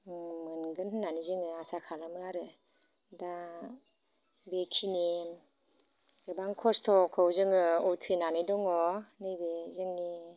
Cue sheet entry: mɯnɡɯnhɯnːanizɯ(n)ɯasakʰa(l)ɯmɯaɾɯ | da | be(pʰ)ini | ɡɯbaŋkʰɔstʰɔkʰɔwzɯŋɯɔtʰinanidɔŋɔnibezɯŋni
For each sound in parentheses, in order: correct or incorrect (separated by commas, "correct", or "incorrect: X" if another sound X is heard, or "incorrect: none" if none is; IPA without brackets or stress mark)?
incorrect: ŋ, correct, incorrect: kʰ